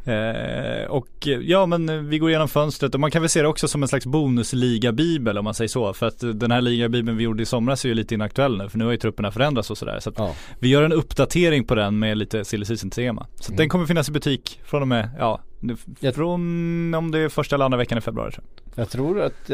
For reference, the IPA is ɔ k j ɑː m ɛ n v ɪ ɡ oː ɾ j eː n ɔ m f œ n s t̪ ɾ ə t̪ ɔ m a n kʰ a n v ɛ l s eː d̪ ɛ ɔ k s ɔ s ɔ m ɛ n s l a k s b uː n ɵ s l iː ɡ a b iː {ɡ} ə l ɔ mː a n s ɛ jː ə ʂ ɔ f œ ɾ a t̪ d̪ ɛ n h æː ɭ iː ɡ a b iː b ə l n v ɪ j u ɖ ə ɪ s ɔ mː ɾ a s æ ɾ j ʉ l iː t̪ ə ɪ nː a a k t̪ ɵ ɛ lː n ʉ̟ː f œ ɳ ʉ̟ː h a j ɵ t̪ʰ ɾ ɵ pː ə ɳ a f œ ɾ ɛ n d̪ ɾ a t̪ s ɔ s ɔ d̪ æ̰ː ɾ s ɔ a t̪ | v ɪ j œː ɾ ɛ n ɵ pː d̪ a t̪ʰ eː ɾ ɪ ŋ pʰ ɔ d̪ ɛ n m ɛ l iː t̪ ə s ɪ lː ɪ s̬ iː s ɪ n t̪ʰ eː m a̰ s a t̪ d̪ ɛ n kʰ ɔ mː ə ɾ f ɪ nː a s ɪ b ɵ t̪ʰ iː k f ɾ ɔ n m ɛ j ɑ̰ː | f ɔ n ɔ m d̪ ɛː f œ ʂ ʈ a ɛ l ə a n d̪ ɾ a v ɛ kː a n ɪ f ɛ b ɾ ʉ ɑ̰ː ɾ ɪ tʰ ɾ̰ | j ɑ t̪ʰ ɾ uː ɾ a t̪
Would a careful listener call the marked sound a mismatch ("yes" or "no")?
yes